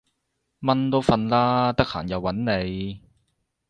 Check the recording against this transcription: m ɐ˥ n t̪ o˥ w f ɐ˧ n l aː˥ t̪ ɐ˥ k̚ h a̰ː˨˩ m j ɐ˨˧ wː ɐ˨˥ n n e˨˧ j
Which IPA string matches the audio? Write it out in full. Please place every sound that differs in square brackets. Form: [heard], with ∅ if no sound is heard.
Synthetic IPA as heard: m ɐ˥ n t̪ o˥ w f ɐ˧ n l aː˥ t̪ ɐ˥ k̚ h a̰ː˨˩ [n] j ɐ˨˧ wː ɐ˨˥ n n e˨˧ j